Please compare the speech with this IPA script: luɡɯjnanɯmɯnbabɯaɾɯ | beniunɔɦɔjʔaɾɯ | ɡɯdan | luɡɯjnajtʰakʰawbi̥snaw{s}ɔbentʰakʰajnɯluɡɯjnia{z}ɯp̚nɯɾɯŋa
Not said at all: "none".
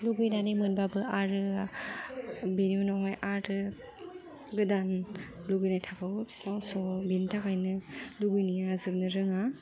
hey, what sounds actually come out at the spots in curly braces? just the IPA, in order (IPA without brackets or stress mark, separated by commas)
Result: s, z